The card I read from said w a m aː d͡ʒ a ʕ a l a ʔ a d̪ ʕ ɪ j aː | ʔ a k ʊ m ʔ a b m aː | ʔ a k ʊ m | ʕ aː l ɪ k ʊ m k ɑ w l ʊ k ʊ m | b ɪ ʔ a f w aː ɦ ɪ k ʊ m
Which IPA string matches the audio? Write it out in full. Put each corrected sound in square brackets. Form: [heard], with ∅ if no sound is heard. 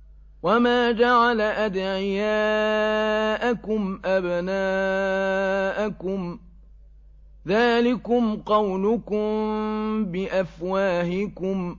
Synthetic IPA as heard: w a m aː d͡ʒ a ʕ a l a ʔ a d̪ ʕ ɪ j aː | ʔ a k ʊ m ʔ a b [n] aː | ʔ a k ʊ m | [ð] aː l ɪ k ʊ m [q] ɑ w l ʊ k ʊ m | b ɪ ʔ a f w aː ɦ ɪ k ʊ m